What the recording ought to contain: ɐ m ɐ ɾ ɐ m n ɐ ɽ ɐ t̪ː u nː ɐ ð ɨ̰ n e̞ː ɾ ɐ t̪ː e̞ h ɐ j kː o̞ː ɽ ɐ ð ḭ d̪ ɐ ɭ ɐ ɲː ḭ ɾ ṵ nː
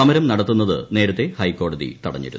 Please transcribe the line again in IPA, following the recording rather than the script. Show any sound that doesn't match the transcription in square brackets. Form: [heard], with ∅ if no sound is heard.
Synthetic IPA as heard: ɐ m ɐ ɾ ɐ m n ɐ ɽ ɐ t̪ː u nː ɐ ð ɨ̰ n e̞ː ɾ ɐ t̪ː e̞ h ɐ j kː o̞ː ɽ ɐ ð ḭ [t̪] ɐ [ɽ] ɐ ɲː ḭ ɾ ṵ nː